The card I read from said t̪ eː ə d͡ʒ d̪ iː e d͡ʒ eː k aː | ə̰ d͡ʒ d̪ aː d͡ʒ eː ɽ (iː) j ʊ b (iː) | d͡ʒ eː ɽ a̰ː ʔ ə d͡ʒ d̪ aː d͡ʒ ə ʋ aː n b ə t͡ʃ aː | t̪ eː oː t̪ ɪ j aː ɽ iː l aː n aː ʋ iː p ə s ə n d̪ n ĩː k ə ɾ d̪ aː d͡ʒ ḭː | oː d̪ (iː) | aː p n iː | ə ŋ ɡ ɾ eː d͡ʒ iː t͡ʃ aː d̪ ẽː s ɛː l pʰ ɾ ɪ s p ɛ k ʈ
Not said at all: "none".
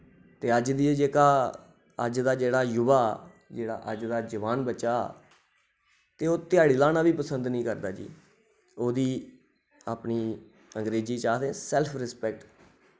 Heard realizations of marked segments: aː, aː, iː

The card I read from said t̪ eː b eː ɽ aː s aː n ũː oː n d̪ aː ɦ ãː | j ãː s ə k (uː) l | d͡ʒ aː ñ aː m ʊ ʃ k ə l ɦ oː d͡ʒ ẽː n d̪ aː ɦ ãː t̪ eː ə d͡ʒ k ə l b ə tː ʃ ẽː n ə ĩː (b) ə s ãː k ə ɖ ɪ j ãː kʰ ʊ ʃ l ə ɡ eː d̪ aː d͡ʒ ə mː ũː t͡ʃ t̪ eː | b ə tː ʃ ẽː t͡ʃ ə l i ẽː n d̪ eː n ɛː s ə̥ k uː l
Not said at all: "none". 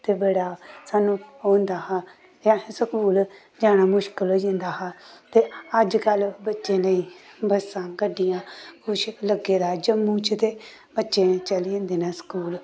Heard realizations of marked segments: uː, b

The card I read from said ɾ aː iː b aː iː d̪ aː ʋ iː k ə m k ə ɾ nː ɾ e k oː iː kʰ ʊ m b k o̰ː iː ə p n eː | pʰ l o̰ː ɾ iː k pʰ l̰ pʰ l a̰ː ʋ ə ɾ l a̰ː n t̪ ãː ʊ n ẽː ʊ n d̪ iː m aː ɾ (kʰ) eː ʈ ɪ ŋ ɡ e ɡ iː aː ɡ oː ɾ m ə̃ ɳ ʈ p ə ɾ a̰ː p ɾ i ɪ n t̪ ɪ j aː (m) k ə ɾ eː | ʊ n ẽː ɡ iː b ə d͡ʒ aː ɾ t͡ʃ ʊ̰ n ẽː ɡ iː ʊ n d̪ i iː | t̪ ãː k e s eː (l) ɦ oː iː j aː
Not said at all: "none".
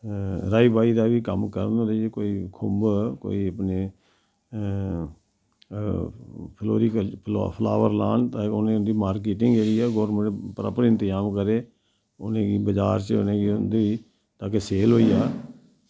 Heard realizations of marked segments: k, m, l

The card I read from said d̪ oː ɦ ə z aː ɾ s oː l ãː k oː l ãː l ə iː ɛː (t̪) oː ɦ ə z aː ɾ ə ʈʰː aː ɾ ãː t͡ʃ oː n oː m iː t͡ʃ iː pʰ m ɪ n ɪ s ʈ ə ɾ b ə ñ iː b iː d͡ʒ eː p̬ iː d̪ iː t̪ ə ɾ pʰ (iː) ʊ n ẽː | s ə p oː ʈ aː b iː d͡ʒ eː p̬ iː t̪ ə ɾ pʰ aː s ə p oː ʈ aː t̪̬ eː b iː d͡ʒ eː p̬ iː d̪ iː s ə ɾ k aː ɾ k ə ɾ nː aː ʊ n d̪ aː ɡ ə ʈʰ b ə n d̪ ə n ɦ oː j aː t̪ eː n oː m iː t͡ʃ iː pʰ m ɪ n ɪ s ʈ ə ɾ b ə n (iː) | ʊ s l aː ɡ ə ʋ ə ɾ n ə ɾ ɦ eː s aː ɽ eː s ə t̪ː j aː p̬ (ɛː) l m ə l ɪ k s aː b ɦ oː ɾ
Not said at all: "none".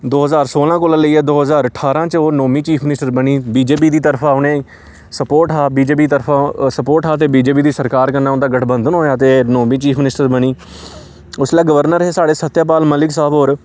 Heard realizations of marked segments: d̪, aː, iː, aː

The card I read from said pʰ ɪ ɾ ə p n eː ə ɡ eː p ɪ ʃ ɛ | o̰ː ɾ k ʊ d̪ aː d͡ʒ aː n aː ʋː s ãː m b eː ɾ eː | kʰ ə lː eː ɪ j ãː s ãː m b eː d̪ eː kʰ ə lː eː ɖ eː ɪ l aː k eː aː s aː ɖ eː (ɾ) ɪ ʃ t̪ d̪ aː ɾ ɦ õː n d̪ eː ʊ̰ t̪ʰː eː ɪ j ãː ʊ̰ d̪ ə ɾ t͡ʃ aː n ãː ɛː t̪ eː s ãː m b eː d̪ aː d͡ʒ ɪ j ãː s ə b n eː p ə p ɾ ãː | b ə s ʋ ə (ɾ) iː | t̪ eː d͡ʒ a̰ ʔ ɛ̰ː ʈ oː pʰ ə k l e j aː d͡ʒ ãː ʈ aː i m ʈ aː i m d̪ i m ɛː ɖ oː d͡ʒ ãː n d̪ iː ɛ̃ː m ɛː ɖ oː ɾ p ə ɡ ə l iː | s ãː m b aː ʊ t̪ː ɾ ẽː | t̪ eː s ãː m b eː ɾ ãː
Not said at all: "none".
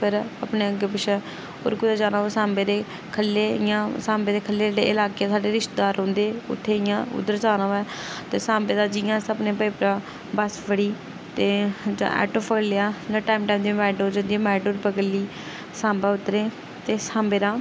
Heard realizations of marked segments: ɾ, ɽ

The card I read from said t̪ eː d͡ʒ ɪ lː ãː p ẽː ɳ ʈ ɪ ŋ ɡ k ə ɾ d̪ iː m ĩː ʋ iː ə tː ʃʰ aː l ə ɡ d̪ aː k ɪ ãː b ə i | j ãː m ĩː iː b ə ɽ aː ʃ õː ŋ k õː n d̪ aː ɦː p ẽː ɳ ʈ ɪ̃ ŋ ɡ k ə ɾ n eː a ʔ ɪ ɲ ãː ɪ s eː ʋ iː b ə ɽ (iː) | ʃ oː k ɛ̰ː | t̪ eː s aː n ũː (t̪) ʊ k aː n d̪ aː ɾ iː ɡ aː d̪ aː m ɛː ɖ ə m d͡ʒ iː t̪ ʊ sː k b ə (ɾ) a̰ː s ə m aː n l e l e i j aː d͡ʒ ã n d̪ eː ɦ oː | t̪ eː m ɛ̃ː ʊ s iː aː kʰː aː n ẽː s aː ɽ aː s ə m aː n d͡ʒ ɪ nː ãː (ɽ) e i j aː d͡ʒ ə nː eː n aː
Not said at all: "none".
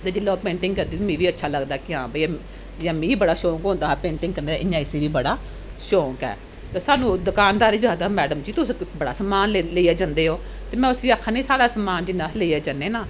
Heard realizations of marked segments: aː, d̪, ɽ, l

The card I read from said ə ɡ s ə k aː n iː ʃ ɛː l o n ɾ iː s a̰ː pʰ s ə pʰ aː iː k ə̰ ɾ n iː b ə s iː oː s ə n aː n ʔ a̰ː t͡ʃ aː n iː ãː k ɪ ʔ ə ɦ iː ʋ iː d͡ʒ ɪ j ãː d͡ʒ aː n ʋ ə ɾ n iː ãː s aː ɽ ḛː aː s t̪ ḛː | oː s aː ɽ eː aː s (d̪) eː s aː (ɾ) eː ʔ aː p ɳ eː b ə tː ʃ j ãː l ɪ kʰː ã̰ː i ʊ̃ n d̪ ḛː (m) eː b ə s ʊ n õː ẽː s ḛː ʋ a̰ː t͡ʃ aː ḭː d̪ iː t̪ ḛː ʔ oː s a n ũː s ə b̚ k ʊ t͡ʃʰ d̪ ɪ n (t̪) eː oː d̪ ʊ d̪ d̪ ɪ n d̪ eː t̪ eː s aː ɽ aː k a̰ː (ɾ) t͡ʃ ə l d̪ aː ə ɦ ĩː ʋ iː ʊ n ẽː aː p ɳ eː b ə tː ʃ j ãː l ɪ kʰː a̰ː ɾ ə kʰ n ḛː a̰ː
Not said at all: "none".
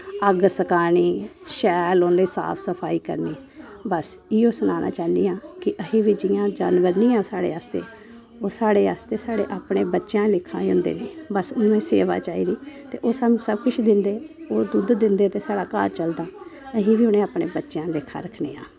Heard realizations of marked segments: t̪, ɽ, n, d̪, ɾ

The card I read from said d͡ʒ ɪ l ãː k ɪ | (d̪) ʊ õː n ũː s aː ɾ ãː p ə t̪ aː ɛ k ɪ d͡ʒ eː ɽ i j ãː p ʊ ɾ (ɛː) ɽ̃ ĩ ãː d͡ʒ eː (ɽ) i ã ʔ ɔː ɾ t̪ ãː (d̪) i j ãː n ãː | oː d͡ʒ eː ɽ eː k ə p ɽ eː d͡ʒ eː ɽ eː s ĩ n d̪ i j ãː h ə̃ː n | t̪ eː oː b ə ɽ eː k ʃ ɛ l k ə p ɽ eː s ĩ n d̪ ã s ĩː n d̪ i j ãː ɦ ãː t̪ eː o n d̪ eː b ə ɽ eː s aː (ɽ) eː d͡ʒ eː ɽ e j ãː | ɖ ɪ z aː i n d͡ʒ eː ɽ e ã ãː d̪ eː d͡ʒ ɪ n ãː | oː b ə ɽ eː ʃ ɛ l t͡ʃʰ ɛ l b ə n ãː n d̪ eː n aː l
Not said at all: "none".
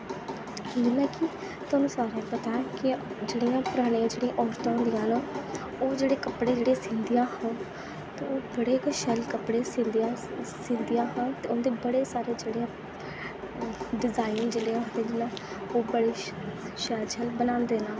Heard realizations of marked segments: t̪, aː, ɽ, d̪, ɾ

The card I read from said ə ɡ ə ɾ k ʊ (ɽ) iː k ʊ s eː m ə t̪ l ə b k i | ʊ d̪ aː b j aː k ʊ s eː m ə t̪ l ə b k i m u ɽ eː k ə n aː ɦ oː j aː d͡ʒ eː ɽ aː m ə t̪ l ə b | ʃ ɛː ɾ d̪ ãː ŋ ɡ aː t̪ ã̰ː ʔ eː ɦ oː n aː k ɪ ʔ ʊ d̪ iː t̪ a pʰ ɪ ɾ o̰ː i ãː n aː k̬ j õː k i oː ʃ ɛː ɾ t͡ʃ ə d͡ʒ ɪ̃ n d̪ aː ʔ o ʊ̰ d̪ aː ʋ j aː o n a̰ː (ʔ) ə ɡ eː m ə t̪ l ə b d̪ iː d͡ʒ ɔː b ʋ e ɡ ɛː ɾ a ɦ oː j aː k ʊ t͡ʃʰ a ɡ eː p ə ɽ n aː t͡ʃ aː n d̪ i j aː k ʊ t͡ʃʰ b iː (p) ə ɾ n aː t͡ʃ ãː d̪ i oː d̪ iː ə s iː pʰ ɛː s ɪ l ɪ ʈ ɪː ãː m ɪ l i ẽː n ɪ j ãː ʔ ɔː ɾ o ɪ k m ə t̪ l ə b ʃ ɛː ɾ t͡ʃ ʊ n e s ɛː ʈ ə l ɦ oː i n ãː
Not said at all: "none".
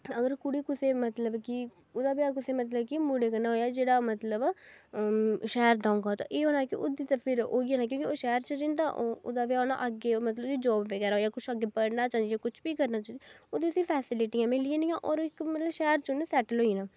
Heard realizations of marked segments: ɽ, ʔ, k

